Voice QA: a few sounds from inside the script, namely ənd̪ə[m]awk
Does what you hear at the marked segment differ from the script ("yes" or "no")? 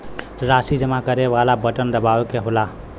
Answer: yes